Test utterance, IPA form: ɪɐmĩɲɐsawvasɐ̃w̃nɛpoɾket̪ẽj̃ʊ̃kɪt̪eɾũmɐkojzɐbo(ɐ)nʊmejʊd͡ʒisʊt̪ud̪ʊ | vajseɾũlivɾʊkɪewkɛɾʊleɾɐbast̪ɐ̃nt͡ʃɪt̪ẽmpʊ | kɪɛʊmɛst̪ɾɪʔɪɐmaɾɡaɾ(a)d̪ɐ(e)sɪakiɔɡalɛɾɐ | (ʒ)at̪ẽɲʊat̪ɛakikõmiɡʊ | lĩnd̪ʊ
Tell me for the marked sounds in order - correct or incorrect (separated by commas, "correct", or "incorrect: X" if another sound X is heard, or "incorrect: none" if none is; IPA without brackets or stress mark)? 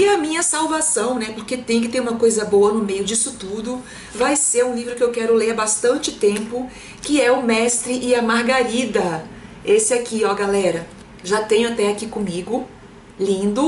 correct, incorrect: i, correct, correct